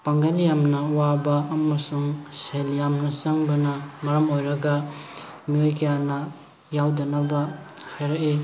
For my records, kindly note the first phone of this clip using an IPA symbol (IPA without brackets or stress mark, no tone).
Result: p